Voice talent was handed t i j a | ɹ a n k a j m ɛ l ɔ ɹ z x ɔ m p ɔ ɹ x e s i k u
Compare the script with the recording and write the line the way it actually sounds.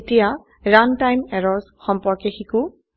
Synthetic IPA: t i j a | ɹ a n t a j m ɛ ɹ ɔ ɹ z x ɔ m p ɔ ɹ k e x i k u